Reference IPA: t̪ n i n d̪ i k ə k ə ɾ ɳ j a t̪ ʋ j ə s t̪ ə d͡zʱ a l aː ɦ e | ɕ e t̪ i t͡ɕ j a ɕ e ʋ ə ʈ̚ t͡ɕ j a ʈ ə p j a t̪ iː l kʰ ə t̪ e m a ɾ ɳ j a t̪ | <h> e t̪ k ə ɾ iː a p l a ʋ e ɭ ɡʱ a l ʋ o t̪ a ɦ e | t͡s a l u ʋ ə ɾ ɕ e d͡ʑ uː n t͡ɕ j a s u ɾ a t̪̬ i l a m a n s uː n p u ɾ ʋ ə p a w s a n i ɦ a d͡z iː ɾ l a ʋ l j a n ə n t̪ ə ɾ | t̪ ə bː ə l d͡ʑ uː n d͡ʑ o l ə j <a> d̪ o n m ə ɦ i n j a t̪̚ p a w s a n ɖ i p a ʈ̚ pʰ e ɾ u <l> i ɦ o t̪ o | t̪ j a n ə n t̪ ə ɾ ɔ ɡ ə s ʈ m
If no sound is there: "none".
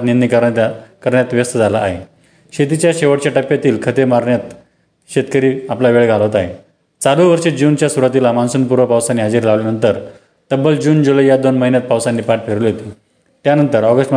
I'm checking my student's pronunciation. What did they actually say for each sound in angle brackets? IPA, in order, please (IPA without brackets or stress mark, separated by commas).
ɕ, a, l